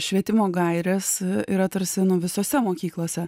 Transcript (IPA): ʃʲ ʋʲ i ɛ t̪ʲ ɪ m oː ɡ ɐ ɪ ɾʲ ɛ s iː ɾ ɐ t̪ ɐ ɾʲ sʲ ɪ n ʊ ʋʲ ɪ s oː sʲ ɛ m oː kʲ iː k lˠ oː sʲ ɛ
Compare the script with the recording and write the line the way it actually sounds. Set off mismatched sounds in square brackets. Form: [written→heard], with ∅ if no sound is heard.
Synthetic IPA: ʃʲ ʋʲ i ɛ t̪ʲ ɪ m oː ɡ ɐ ɪ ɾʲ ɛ s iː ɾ ɐ t̪ ɐ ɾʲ sʲ ɪ n ʊ ʋʲ ɪ s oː sʲ ɛ m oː kʲ iː k lˠ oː sʲ ɛ